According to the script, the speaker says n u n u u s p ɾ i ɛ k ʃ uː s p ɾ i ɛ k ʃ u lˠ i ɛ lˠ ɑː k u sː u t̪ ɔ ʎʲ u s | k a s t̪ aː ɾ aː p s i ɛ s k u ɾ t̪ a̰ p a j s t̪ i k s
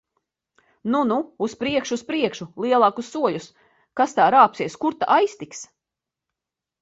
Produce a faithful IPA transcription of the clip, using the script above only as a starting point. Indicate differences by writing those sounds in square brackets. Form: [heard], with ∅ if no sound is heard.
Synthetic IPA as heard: n u n u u s p ɾ i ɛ k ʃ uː s p ɾ i ɛ k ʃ u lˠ i ɛ lˠ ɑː k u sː u [∅] ɔ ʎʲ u s | k a s t̪ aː ɾ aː p s i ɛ s k u ɾ t̪ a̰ [ʔ] a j s t̪ i k s